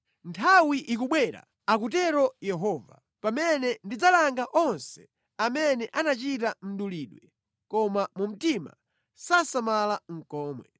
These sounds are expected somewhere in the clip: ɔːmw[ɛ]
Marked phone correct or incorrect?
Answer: correct